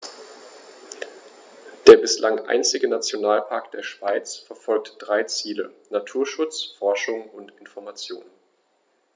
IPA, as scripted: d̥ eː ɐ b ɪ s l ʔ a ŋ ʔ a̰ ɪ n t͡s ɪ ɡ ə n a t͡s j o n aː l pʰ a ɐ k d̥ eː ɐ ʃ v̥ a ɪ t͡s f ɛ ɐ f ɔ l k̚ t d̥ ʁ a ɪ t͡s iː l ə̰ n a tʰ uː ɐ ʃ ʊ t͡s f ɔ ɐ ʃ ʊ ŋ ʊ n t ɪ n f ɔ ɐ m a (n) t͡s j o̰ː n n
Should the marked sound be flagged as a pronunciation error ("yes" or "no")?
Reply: yes